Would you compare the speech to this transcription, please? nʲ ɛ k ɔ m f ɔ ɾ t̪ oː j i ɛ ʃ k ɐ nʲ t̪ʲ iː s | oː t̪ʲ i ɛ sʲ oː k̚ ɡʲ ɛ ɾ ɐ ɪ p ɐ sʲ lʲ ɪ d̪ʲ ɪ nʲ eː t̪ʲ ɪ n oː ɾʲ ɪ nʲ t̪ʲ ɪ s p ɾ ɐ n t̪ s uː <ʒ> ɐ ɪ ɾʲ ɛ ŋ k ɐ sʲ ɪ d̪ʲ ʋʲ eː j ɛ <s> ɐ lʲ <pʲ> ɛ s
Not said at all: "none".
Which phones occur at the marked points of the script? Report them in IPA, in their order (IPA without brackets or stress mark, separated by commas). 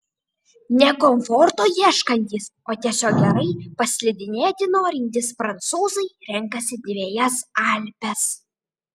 z, s, pʲ